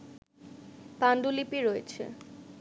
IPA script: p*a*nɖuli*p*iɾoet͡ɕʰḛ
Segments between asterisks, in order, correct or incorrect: correct, correct

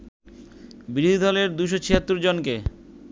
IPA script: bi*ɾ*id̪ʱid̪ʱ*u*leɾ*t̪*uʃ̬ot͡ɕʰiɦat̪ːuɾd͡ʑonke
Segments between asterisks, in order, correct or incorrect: correct, incorrect: ɔ, incorrect: d̪

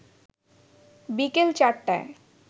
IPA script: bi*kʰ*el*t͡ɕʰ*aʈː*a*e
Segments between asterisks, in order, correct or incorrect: incorrect: k, incorrect: t͡ɕ, correct

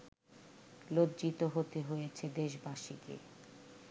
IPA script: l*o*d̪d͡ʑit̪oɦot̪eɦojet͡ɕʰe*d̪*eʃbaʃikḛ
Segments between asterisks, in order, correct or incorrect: correct, correct

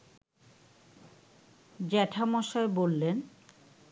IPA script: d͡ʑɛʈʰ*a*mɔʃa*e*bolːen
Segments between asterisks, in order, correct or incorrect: correct, correct

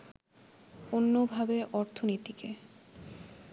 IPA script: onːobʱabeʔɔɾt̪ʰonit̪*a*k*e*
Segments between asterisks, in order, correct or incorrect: incorrect: i, correct

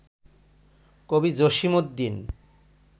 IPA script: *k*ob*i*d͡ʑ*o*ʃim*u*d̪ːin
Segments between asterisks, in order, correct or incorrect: correct, correct, correct, incorrect: o

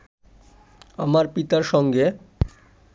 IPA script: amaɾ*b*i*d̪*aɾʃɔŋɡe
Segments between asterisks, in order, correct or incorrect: incorrect: p, incorrect: t̪

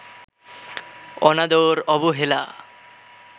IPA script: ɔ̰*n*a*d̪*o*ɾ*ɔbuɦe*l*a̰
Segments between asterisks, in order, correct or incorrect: correct, correct, correct, correct

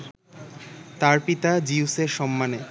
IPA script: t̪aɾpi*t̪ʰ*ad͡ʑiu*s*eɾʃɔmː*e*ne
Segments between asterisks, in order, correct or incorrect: incorrect: t̪, correct, incorrect: a

